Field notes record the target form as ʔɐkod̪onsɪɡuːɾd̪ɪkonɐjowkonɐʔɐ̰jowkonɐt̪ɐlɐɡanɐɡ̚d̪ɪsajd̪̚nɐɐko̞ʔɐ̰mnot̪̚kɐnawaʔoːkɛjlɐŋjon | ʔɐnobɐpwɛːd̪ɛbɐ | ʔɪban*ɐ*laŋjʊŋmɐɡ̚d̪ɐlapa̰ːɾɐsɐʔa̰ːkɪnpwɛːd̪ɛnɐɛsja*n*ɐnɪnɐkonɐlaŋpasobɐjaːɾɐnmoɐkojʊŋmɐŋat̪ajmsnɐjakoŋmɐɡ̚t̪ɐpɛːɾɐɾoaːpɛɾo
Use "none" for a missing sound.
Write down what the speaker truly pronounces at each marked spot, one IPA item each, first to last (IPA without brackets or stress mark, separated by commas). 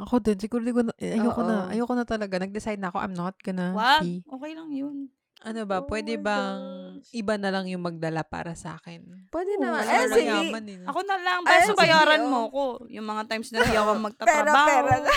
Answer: ɐ, m